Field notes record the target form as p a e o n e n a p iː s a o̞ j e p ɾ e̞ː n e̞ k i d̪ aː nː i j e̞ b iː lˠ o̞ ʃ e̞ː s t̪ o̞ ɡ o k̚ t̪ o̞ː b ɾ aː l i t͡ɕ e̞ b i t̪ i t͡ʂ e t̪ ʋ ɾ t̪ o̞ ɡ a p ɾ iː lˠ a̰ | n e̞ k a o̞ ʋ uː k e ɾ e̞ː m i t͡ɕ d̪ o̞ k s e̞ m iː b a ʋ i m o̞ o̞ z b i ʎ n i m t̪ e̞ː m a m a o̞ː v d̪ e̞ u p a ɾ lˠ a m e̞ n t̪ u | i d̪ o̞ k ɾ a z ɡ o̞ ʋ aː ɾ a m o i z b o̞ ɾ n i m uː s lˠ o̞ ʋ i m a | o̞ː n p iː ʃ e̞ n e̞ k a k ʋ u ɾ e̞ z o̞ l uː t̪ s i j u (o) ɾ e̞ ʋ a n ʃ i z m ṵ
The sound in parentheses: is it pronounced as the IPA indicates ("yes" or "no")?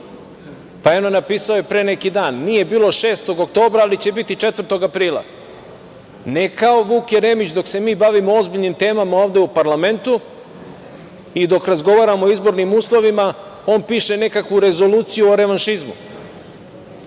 yes